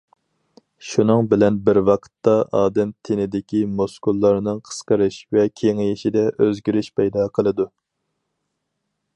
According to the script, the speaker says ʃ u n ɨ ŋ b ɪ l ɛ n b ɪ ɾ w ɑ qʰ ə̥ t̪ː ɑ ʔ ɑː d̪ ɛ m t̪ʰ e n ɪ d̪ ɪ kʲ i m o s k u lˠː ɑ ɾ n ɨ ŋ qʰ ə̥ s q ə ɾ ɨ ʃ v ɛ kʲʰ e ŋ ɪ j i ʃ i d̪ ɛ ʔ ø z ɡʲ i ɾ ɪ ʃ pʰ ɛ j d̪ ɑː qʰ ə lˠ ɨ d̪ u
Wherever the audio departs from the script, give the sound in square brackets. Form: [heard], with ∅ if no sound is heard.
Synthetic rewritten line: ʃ u n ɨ ŋ b ɪ l ɛ n b ɪ ɾ w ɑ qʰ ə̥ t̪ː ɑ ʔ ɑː d̪ ɛ m t̪ʰ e n ɪ d̪ ɪ kʲ i m o s k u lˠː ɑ ɾ n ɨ ŋ qʰ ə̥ s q ə ɾ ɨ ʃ v ɛ kʲʰ e ŋ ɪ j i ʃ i d̪ ɛ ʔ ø z ɡʲ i ɾ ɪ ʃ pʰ ɛ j d̪ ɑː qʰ ə lˠ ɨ d̪ u